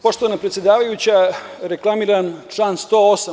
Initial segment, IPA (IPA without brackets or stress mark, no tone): p